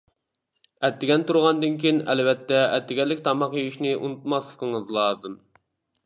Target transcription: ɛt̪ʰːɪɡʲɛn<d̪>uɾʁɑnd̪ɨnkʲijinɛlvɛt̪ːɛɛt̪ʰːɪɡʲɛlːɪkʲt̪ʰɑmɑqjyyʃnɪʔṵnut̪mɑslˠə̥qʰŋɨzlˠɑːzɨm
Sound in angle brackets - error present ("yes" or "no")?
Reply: yes